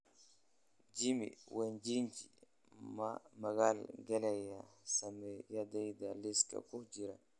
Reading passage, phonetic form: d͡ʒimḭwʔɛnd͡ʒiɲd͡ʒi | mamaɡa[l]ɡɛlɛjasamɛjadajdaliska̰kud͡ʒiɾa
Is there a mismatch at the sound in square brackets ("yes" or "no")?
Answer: no